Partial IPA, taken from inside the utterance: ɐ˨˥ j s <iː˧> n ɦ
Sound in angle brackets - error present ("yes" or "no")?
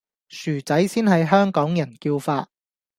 yes